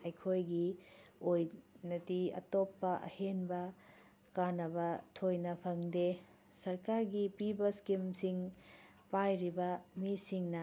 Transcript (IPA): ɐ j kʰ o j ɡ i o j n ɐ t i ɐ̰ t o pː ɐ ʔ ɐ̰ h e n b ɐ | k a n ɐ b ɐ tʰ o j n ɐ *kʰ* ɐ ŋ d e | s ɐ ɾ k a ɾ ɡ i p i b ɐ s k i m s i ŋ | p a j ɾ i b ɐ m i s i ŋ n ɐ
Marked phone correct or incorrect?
incorrect: pʰ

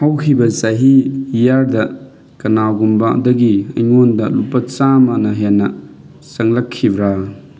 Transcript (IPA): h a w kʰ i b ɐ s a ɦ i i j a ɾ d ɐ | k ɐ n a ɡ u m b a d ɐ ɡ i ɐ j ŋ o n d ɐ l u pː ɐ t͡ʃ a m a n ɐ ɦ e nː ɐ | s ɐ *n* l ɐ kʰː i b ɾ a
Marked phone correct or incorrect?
incorrect: ŋ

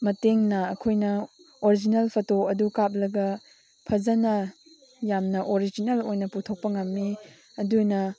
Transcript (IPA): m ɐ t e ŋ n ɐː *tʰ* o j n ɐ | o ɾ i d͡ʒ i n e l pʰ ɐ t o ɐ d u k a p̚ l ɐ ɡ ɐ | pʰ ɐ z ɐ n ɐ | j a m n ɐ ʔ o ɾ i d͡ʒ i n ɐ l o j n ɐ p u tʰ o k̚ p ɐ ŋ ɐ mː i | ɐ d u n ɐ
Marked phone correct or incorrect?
incorrect: kʰ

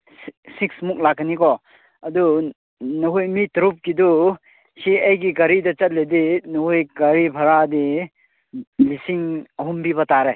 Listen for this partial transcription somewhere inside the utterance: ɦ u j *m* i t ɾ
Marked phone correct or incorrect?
correct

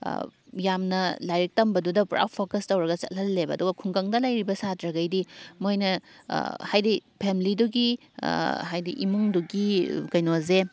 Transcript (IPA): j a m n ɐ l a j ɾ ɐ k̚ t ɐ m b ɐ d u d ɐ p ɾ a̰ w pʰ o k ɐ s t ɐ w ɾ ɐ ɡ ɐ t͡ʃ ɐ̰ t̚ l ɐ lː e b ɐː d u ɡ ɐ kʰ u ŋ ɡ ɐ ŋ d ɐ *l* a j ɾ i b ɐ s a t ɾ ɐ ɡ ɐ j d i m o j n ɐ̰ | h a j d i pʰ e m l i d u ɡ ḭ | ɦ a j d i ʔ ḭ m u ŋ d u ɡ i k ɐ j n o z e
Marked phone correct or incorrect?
correct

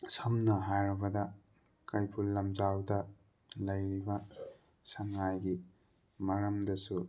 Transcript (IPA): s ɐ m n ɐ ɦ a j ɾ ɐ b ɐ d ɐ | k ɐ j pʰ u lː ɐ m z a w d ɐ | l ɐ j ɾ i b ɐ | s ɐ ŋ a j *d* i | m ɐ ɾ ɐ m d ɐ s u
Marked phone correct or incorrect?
incorrect: ɡ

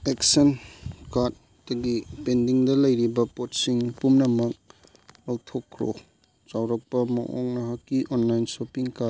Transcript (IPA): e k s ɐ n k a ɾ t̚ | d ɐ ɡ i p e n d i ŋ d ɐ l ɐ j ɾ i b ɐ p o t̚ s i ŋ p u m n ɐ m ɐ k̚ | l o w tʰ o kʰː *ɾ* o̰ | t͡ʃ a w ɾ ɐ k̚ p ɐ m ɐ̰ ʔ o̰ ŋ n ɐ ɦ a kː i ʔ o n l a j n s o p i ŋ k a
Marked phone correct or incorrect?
correct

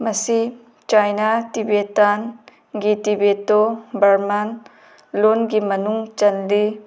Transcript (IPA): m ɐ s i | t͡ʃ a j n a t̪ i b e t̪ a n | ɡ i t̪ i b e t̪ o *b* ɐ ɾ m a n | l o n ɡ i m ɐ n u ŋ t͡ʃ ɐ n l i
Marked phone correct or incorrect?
correct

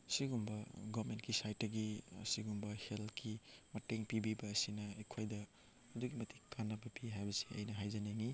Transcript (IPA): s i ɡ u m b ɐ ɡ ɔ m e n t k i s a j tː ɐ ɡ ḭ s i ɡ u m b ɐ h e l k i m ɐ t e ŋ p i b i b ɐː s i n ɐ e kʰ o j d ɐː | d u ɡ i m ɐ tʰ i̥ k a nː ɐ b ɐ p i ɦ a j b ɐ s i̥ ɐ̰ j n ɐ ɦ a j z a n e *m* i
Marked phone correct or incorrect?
incorrect: ŋ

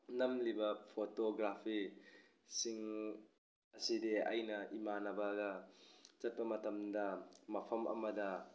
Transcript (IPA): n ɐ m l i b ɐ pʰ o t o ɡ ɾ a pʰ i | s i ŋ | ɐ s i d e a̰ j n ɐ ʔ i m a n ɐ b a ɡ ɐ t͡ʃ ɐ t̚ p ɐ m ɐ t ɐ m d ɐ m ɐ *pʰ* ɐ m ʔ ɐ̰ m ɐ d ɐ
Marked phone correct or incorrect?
correct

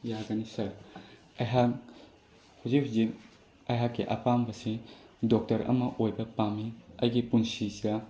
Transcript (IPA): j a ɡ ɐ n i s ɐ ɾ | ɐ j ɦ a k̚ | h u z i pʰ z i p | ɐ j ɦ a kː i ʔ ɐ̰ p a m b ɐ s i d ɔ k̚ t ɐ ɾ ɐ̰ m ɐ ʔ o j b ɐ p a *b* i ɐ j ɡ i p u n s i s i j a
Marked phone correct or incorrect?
incorrect: m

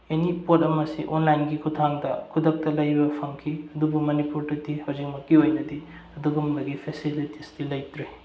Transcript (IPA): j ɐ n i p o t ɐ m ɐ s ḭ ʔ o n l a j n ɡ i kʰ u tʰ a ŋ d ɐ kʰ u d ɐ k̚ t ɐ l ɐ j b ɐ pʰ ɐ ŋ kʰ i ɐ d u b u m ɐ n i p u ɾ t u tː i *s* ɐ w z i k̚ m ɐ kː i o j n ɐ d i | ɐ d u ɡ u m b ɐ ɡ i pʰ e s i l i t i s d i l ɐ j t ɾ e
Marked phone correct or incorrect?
incorrect: h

